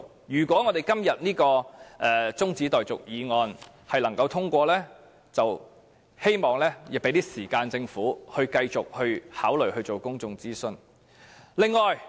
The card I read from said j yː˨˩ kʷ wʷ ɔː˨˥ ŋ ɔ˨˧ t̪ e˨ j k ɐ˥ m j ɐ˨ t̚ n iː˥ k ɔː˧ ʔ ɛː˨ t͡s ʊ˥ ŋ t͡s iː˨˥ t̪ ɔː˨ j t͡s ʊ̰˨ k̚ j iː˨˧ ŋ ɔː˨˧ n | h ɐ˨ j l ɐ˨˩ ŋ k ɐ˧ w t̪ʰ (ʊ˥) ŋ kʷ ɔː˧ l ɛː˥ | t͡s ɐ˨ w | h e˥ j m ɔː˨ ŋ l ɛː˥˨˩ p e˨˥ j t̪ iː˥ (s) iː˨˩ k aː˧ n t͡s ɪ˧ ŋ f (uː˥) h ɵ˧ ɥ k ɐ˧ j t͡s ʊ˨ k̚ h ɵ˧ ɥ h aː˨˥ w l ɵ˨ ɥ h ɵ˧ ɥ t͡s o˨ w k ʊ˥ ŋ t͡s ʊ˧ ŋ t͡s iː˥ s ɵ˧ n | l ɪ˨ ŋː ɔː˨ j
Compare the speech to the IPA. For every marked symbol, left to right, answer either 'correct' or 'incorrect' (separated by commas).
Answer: correct, correct, incorrect